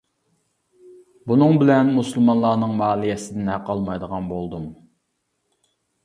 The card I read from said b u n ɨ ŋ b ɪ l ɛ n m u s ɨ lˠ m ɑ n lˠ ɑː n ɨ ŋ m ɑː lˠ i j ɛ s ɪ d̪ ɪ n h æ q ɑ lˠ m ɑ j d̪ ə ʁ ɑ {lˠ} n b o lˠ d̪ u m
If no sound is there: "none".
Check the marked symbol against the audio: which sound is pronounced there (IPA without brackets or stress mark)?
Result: none